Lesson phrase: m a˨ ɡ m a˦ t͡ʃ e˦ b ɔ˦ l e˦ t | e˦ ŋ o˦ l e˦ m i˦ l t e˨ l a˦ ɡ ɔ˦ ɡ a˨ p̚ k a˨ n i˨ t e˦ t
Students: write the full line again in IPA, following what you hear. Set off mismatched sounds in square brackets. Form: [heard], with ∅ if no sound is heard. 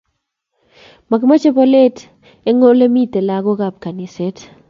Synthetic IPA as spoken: m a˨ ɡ m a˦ t͡ʃ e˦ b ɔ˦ l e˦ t | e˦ ŋ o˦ l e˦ m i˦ [∅] t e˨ l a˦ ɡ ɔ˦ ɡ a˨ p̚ k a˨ n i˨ [s] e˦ t